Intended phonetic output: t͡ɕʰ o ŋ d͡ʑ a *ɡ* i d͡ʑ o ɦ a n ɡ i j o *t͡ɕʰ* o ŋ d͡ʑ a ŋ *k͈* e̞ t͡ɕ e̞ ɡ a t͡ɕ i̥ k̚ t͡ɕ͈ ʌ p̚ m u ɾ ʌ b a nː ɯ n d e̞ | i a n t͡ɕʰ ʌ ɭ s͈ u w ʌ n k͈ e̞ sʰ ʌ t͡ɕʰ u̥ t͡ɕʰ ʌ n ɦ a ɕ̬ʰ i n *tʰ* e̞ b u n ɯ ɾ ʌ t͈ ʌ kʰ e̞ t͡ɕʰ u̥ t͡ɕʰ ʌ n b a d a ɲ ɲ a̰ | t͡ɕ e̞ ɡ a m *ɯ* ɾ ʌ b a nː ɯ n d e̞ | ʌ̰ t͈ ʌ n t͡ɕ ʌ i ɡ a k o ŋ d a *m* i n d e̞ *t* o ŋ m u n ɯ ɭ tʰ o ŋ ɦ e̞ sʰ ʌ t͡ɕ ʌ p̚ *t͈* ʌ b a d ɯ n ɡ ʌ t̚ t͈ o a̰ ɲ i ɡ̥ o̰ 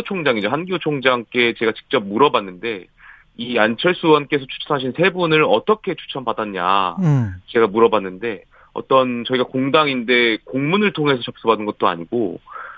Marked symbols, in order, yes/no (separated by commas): no, yes, yes, no, no, no, no, no